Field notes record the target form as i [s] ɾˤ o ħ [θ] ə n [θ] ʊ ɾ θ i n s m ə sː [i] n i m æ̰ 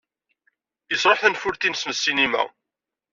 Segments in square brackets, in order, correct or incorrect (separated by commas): correct, correct, incorrect, correct